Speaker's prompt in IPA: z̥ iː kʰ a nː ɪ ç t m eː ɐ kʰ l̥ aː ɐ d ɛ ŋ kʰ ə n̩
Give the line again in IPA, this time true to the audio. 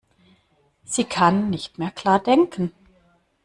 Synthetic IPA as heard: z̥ iː kʰ a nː ɪ ç t m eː ɐ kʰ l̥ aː ɐ d ɛ ŋ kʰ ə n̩